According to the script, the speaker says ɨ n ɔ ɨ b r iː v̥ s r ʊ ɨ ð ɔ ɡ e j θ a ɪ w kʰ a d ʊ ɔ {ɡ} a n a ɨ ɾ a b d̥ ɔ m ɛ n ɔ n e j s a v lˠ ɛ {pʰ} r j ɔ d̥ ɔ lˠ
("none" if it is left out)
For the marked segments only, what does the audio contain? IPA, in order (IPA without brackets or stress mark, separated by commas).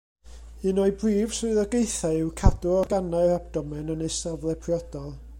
ɡ, pʰ